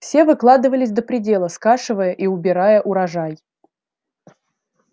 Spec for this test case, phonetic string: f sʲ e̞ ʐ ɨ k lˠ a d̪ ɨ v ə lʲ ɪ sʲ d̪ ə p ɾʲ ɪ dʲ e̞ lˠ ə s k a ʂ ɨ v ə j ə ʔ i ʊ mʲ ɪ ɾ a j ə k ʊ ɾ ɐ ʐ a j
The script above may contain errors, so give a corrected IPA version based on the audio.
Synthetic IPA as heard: f sʲ e̞ v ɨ k lˠ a d̪ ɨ v ə lʲ ɪ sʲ d̪ ə p ɾʲ ɪ dʲ e̞ lˠ ə s k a ʂ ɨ v ə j ə ʔ i ʊ bʲ ɪ ɾ a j ə ʔ ʊ ɾ ɐ ʐ a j

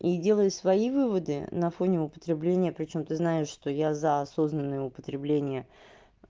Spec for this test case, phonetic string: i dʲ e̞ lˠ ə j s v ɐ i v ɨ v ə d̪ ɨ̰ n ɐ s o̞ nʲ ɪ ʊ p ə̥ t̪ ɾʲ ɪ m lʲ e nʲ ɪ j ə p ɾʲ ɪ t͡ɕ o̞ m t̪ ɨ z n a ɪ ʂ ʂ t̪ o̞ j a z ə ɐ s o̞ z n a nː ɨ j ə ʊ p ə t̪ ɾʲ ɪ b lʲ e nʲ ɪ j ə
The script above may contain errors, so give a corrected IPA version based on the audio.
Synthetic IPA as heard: i dʲ e̞ lˠ ə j s v ɐ i v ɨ v ə d̪ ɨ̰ n ɐ f o̞ nʲ ɪ ʊ p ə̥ t̪ ɾʲ ɪ b lʲ e nʲ ɪ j ə p ɾʲ ɪ t͡ɕ o̞ m t̪ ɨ z n a ɪ ʂ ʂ t̪ o̞ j a z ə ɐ s o̞ z n ə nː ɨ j ə ʊ p ə t̪ ɾʲ ɪ b lʲ e nʲ ɪ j ə

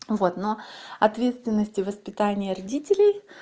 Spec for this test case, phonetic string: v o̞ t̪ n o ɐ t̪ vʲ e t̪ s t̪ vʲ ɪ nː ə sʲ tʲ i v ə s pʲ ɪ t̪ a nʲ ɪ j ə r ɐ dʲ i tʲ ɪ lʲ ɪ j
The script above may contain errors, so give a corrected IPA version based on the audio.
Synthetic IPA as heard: v o̞ t̪ n o ɐ t̪ vʲ e t̪ s t̪ vʲ ɪ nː ə sʲ tʲ ɪ v ə s pʲ ɪ t̪ a nʲ ɪ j ə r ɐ dʲ i tʲ ɪ lʲ ɪ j

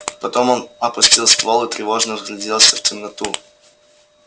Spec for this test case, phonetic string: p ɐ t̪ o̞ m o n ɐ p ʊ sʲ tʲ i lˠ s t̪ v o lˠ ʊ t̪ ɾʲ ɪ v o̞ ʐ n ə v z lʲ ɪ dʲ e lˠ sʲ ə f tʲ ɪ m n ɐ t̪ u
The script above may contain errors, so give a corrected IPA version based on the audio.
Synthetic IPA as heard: p ɐ t̪ o̞ m o n ɐ p ʊ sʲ tʲ i lˠ s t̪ v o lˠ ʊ t̪ ɾʲ ɪ v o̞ ʐ n ə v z lʲ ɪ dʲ e lˠ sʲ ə f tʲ ɪ m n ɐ t̪ u

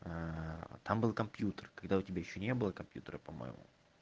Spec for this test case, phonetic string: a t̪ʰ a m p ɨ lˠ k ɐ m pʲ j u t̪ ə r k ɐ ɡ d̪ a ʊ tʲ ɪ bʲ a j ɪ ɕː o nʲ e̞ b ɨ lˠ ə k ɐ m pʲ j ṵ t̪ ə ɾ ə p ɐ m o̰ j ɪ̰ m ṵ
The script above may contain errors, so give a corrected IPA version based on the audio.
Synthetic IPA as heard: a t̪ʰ a m b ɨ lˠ k ɐ m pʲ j u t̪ ə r k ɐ ɡ d̪ a ʊ tʲ ɪ bʲ a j ɪ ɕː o nʲ e̞ b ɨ lˠ ə k ɐ m pʲ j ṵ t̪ ə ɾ ə p ɐ m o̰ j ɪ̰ m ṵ

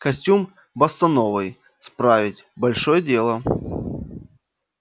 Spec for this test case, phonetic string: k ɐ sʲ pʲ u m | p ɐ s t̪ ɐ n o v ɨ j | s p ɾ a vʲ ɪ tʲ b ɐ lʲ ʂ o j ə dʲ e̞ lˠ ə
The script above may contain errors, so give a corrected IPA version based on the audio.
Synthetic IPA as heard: k ɐ sʲ tʲ u m | b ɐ s t̪ ɐ n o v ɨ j | s p ɾ a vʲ ɪ tʲ b ɐ lʲ ʂ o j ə dʲ e̞ lˠ ə

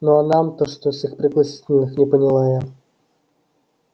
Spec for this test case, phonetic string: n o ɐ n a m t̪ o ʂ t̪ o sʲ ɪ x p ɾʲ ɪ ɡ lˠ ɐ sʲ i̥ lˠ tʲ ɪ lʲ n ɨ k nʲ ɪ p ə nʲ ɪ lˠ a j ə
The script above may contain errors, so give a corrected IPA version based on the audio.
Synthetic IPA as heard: n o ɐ n a m t̪ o ʂ t̪ o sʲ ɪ x p ɾʲ ɪ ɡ lˠ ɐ sʲ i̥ tʲ ɪ lʲ n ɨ x nʲ ɪ p ə nʲ ɪ lˠ a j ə

